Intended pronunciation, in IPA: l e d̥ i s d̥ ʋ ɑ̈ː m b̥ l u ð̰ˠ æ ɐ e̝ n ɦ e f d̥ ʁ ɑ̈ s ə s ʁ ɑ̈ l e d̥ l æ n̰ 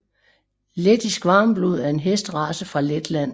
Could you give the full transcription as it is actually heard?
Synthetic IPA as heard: l e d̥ i s ɡ̥ ʋ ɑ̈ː m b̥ l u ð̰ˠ æ ɐ e̝ n ɦ e s d̥ ʁ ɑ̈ s ə f ʁ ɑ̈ l e d̥ l æ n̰